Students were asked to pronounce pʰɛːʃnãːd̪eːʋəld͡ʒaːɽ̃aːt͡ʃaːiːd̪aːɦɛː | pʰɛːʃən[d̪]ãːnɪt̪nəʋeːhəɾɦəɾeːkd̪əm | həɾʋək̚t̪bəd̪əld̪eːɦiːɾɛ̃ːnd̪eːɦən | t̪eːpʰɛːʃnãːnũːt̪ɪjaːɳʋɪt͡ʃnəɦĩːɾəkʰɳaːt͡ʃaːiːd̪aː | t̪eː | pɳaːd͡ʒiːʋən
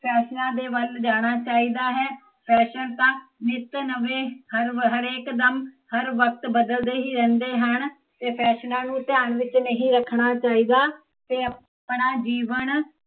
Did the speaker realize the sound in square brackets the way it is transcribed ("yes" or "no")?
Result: no